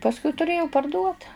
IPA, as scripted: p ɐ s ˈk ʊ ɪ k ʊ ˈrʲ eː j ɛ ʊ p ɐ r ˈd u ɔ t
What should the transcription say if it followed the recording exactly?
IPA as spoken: p ɐ s ˈk ʊ ɪ t ʊ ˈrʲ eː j ɛ ʊ p ɐ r ˈd u ɔ t